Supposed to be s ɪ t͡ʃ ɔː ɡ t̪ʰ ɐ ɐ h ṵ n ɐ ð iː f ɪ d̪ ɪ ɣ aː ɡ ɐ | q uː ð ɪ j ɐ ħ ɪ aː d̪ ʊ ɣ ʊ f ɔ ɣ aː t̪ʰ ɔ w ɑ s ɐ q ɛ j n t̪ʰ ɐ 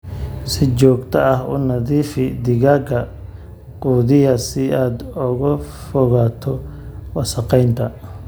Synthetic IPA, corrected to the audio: s ɪ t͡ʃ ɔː ɡ t̪ʰ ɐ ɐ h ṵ n ɐ ð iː f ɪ d̪ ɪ ɣ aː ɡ ɐ | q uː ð ɪ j ɐ s ɪ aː d̪ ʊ ɣ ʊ f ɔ ɣ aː t̪ʰ ɔ w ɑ s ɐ q ɛ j n t̪ʰ ɐ